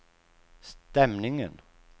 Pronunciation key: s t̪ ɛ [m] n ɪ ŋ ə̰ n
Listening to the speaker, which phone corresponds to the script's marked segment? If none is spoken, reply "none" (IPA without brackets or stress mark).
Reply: m